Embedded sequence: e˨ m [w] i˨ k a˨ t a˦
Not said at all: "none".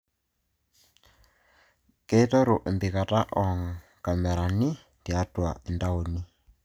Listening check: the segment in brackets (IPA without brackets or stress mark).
b